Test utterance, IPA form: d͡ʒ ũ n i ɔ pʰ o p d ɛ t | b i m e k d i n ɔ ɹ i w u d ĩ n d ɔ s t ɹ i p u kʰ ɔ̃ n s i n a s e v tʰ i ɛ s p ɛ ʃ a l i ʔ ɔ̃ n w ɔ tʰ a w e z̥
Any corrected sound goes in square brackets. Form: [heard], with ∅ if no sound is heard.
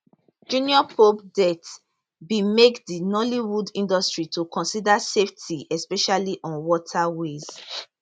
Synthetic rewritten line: d͡ʒ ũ n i ɔ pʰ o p d ɛ t | b i m e k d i n ɔ [l] i w u d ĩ n d ɔ s t ɹ i [t] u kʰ ɔ̃ n s i [d] a s e [f] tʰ i ɛ s p ɛ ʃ a l i ʔ ɔ̃ n w ɔ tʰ a w e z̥